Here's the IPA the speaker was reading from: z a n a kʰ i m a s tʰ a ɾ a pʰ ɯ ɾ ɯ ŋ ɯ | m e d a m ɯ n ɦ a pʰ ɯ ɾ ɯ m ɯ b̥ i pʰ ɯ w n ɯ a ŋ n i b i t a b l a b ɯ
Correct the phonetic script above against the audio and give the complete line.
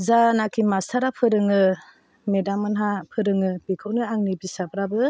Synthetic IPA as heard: z a n a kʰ i m a s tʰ a ɾ a pʰ ɯ ɾ ɯ ŋ ɯ | m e d a m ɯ n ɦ a pʰ ɯ ɾ ɯ ŋ ɯ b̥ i kʰ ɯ w n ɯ a ŋ n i b i s a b ɾ a b ɯ